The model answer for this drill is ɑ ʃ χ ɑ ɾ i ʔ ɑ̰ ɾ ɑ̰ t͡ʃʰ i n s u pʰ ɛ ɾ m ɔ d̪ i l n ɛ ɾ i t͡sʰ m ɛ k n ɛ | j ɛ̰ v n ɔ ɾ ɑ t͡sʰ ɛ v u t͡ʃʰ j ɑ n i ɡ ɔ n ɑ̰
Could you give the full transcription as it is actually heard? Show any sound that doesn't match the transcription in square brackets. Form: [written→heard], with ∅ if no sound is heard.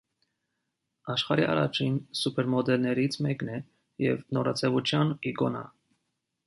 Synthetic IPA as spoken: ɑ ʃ χ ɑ ɾ i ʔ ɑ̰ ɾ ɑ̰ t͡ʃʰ i n s u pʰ ɛ ɾ m ɔ d̪ [i→ɛ] l n ɛ ɾ i t͡sʰ m ɛ k n ɛ | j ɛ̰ v n ɔ ɾ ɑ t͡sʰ ɛ v u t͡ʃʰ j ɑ n i ɡ ɔ n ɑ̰